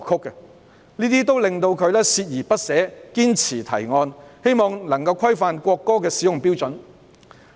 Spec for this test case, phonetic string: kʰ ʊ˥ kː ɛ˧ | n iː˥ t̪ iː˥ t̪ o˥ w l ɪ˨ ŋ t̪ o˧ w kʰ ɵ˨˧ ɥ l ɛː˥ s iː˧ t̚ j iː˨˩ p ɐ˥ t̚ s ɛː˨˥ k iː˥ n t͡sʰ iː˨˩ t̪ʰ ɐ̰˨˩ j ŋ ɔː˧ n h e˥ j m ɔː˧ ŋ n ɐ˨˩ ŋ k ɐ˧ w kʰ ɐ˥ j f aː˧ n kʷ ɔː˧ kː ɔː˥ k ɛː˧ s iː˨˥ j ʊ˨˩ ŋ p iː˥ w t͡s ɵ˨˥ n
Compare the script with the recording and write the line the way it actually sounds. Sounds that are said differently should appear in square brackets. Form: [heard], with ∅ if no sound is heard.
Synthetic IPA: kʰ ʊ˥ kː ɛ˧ | n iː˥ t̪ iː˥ t̪ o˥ w l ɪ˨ ŋ t̪ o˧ w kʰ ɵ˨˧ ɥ l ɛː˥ s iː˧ t̚ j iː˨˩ p ɐ˥ t̚ s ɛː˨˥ k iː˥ n t͡sʰ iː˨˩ t̪ʰ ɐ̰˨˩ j ŋ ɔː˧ n h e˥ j m ɔː˧ ŋ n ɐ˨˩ ŋ k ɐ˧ w kʰ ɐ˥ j f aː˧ n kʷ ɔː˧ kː ɔː˥ k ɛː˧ s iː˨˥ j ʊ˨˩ ŋ p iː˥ w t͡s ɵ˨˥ n